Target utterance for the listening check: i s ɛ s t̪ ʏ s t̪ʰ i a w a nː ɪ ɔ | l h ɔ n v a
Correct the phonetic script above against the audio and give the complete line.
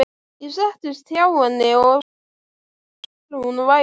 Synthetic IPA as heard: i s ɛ h t̪ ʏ s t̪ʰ j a w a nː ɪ ɔ | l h u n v a